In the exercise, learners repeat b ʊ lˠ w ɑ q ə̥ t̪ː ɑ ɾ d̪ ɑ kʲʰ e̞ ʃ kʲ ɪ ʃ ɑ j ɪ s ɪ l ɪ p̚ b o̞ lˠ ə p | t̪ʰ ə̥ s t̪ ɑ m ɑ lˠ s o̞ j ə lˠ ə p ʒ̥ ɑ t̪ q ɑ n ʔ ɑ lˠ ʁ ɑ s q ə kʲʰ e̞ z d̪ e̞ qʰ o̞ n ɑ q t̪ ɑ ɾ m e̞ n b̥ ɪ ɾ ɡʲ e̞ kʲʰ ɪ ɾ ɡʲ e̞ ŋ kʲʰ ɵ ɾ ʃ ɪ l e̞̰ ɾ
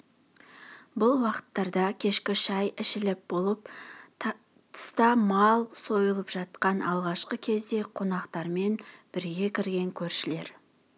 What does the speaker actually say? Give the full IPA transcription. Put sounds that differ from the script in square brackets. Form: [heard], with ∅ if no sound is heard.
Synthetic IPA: b ʊ lˠ w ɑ q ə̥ t̪ː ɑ ɾ d̪ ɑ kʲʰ e̞ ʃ kʲ ɪ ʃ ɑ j ɪ [ʃ] ɪ l ɪ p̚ b o̞ lˠ ə p | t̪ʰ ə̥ s t̪ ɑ m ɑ lˠ s o̞ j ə lˠ ə p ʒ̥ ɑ t̪ q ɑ n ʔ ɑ lˠ ʁ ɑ [ʃ] q ə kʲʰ e̞ z d̪ e̞ qʰ o̞ n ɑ q t̪ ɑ ɾ m e̞ n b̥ ɪ ɾ ɡʲ e̞ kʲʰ ɪ ɾ ɡʲ e̞ ŋ kʲʰ ɵ ɾ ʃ ɪ l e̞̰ ɾ